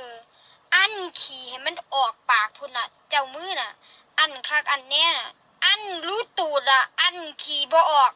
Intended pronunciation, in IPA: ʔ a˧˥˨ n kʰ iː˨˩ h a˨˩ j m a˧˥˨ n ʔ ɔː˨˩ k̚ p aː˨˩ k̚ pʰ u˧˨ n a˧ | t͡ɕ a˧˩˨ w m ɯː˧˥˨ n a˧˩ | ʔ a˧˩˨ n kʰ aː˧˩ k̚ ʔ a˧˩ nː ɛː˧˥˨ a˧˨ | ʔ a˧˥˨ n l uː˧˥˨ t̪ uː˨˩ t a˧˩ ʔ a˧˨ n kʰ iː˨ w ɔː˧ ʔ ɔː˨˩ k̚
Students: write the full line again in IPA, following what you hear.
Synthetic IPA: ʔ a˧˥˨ n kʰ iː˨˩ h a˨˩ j m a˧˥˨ n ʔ ɔː˨˩ k̚ p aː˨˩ k̚ pʰ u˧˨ n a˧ | t͡ɕ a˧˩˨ w m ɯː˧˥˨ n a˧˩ | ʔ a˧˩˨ n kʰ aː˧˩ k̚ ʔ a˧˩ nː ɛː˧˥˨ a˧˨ | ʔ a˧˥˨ n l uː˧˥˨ t̪ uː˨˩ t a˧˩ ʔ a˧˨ n kʰ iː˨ b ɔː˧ ʔ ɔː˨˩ k̚